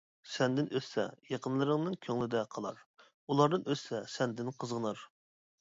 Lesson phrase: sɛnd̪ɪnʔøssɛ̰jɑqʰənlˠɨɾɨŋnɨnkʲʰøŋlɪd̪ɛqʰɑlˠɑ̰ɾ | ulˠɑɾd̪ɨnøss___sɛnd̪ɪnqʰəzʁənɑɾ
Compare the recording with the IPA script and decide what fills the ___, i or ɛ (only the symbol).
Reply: ɛ